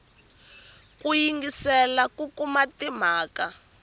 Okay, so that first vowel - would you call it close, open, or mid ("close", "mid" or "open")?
close